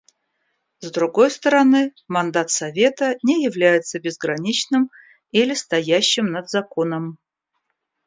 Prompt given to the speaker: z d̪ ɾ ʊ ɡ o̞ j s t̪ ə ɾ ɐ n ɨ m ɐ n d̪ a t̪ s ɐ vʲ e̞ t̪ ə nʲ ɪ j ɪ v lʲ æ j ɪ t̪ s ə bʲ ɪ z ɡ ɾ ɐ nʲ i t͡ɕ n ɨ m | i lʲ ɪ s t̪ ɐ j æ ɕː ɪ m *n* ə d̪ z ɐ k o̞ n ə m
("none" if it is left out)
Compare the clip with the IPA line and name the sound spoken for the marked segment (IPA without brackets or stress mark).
n